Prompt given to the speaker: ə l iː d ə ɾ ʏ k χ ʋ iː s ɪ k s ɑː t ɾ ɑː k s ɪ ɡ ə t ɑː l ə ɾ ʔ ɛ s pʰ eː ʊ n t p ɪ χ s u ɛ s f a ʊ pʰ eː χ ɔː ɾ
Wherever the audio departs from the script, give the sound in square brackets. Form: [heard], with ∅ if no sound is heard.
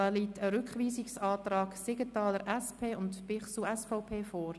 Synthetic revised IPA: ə l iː [t] ə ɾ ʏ k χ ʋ iː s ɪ k s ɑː t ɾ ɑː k s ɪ ɡ ə t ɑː l ə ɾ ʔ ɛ s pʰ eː ʊ n t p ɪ χ s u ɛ s f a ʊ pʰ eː [f] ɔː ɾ